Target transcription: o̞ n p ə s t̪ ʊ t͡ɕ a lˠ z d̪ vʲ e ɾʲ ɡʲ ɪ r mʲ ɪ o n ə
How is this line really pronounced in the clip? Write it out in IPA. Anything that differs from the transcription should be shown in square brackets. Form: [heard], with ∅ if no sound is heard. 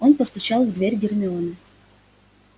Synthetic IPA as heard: o̞ n p ə s t̪ ʊ t͡ɕ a lˠ [v] d̪ vʲ e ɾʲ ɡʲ ɪ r mʲ ɪ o n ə